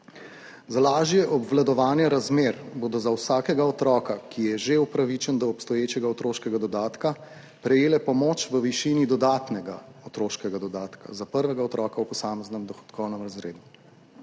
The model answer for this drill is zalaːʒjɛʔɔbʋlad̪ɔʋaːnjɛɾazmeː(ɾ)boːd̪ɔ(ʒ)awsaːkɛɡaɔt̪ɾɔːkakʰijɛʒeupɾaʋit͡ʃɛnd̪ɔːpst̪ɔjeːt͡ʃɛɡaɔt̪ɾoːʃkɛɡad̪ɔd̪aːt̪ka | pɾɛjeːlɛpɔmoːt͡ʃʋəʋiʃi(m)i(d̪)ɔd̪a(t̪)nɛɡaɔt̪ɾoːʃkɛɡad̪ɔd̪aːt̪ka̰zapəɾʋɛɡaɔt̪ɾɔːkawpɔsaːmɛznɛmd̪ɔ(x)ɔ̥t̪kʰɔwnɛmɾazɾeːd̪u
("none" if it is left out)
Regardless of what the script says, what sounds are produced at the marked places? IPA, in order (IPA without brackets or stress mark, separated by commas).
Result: ɾ, z, n, d̪, t̪, x